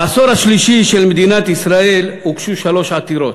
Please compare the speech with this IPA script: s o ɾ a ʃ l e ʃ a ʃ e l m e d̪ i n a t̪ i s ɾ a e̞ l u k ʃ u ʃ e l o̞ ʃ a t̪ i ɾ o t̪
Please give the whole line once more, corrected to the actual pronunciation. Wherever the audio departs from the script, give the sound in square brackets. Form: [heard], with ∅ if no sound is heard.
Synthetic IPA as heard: s o ɾ a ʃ l [i] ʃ [i] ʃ e l m e d̪ i n a t̪ i s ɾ a e̞ l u k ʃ u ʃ [a] l o̞ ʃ a t̪ i ɾ o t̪